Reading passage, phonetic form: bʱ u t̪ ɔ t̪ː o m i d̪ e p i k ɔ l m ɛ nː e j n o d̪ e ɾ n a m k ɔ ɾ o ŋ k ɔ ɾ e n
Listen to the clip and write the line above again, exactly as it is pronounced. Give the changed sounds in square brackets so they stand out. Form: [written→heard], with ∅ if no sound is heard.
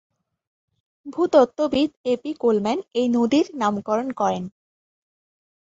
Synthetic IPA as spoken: bʱ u t̪ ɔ t̪ː o [m→b] i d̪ e p i k [ɔ→o] l m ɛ [nː→n] e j n o d̪ [e→i] ɾ n a m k ɔ ɾ o [ŋ→n] k ɔ ɾ e n